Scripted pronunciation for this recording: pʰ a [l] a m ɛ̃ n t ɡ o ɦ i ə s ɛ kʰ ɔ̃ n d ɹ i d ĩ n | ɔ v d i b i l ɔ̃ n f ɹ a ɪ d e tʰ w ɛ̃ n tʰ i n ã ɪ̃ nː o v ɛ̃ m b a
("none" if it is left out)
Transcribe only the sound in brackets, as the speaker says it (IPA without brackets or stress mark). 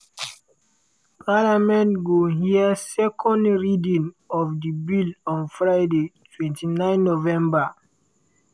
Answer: l